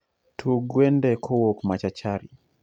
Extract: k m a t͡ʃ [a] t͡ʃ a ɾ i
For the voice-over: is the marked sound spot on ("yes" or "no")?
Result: yes